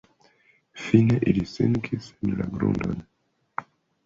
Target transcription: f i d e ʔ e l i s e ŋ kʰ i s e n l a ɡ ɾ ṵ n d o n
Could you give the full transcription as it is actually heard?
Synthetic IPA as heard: f i n e ʔ i l i s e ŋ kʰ i s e n l a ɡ ɾ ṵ n d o n